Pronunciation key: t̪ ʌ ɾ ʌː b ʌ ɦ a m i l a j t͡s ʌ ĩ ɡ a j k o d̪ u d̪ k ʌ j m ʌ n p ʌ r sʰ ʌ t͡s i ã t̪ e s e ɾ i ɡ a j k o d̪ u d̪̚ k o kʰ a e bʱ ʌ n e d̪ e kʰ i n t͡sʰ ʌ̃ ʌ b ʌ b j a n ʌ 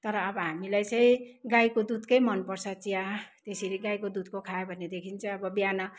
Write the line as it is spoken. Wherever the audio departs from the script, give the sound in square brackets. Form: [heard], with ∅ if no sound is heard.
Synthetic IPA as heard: t̪ ʌ ɾ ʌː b ʌ ɦ a m i l a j t͡s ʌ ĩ ɡ a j k o d̪ u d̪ k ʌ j m ʌ n p ʌ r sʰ ʌ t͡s i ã t̪ e s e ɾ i ɡ a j k o d̪ u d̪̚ k o kʰ a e bʱ ʌ n e d̪ e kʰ i n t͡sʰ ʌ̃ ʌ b ʌ b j a n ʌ